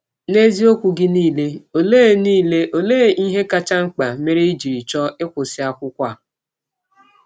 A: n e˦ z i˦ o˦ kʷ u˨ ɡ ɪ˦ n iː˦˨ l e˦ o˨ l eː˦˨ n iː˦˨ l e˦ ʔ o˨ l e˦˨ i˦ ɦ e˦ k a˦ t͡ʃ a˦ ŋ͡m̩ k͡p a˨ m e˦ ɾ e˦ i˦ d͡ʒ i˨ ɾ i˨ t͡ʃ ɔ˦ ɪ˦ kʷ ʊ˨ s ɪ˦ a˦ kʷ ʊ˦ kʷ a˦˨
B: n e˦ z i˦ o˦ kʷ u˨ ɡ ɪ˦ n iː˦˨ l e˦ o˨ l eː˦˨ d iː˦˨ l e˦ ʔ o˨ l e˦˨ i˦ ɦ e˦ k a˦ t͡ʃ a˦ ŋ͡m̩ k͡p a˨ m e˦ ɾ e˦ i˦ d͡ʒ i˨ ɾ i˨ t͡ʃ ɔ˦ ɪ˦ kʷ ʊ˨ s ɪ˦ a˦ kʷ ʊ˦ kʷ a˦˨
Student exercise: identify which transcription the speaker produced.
A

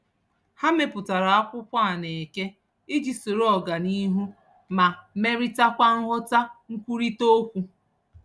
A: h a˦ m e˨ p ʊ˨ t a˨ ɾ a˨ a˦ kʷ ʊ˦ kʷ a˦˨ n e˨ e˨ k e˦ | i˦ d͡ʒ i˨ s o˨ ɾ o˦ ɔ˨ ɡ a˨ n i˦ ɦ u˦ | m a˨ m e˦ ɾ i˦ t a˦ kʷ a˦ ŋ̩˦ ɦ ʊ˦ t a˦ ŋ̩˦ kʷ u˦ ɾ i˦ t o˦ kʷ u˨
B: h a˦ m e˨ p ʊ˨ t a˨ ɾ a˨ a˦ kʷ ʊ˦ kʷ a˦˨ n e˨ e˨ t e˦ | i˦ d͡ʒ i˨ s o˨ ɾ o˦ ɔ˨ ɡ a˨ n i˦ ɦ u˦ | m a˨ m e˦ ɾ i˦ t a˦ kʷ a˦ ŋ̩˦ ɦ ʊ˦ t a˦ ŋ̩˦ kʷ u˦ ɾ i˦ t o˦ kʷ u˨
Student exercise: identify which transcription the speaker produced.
A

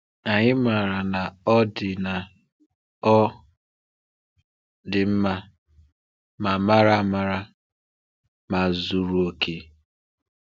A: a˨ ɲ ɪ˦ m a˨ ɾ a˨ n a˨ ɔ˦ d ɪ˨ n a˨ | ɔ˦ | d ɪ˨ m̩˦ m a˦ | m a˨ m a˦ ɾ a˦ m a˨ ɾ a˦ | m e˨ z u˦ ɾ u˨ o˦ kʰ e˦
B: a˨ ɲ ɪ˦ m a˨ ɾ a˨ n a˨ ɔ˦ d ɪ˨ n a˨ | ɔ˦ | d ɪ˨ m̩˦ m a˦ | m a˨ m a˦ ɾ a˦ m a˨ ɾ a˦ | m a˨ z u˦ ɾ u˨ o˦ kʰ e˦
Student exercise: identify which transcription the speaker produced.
B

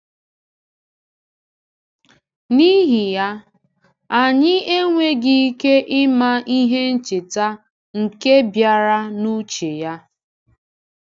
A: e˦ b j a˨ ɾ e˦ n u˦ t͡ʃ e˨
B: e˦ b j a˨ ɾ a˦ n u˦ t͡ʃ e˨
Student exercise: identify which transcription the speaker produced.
B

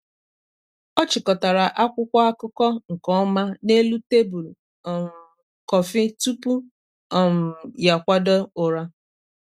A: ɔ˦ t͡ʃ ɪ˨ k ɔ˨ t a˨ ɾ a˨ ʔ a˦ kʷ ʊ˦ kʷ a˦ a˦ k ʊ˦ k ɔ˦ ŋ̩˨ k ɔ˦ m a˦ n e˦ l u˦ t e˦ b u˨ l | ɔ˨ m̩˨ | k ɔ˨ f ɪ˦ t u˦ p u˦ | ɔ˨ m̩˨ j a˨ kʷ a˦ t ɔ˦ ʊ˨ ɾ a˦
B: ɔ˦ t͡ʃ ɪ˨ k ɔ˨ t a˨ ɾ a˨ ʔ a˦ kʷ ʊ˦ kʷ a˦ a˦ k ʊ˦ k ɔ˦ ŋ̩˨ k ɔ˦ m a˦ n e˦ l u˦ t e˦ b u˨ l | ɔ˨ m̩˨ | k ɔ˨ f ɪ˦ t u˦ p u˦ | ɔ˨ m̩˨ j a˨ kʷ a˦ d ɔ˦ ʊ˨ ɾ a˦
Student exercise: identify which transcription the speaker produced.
B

